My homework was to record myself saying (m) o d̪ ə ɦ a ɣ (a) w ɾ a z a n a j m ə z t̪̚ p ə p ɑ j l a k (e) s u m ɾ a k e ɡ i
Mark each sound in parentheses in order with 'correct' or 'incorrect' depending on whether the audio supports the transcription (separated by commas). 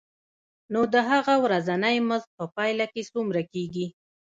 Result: incorrect, correct, correct